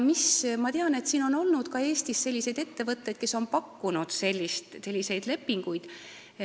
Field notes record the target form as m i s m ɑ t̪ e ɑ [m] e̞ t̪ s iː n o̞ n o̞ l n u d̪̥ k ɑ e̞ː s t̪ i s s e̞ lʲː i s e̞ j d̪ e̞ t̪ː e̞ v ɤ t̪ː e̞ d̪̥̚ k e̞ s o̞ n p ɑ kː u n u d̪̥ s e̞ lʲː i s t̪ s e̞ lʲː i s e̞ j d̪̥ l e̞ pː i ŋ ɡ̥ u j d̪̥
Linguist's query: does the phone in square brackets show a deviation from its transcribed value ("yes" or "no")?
yes